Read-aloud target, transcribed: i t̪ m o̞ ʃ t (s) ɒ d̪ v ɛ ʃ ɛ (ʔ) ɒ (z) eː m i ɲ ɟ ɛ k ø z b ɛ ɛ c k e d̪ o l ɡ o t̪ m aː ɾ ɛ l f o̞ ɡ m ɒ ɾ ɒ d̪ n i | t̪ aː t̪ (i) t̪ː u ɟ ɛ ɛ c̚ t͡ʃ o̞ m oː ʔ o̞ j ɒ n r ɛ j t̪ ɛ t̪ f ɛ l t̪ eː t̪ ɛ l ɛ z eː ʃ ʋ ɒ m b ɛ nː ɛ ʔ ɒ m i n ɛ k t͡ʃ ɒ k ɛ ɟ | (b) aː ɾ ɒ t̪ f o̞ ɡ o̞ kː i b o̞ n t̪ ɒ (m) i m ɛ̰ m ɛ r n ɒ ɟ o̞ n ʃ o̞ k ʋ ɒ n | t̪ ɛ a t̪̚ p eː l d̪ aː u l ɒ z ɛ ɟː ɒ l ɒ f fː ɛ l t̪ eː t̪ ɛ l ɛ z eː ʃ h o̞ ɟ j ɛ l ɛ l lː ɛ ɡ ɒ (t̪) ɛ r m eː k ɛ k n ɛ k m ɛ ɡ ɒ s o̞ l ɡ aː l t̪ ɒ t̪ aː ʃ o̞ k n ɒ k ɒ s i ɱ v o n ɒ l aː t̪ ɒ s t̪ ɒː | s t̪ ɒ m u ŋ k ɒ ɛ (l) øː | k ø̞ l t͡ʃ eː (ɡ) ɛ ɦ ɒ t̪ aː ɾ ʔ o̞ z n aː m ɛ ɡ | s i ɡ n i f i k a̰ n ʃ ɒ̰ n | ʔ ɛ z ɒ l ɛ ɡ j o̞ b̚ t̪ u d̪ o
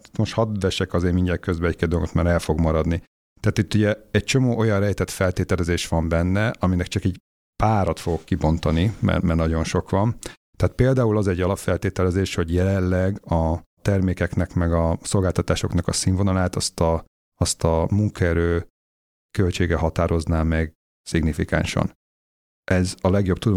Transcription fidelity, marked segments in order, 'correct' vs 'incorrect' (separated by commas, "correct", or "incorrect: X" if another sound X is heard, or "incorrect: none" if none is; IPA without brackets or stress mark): incorrect: h, incorrect: k, correct, correct, incorrect: p, incorrect: n, correct, incorrect: ɾ, correct